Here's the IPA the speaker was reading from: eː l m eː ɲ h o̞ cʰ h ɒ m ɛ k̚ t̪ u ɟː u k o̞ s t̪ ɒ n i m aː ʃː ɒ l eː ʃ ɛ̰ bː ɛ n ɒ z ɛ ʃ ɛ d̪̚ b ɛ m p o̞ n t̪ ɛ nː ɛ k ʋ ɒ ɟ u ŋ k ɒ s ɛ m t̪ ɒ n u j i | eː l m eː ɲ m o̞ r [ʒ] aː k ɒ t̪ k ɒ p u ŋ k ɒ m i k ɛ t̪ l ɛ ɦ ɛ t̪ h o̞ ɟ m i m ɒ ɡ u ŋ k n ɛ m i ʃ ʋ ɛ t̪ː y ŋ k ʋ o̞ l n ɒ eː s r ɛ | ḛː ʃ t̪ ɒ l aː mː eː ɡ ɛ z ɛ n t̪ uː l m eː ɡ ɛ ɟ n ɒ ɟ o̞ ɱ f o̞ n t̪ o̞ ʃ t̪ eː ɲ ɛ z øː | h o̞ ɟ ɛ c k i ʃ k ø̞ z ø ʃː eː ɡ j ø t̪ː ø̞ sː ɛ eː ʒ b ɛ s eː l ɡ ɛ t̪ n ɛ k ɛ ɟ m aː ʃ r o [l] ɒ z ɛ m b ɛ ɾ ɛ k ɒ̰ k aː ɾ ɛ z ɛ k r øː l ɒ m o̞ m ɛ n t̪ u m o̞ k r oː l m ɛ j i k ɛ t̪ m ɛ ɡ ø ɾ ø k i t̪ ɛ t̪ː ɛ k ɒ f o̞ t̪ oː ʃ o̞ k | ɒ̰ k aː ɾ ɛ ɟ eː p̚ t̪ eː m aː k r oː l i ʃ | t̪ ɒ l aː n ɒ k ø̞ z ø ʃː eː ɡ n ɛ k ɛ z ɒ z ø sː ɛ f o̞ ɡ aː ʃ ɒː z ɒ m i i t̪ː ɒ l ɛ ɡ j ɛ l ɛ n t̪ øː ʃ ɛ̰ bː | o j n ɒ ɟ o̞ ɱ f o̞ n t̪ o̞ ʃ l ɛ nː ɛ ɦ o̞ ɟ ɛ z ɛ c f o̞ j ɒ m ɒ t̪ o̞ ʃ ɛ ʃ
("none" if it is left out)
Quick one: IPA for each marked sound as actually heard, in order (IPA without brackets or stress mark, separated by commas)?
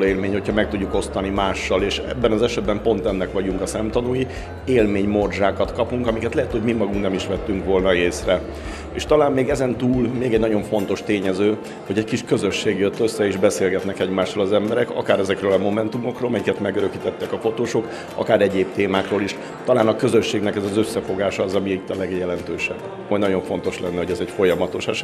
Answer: ʒ, l